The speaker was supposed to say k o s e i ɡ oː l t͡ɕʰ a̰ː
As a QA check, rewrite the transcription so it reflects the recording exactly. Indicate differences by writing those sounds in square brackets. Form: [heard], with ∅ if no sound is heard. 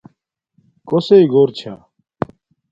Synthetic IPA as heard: k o s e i ɡ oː [ɾ] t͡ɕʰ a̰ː